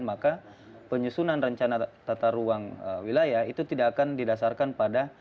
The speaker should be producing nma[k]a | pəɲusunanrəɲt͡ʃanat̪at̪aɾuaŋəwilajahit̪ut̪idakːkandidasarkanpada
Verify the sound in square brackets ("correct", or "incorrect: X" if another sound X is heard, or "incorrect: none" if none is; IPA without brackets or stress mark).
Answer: correct